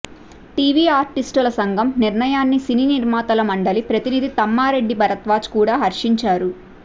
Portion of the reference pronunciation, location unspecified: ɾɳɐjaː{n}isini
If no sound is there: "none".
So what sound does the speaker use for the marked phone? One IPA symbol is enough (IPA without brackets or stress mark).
nː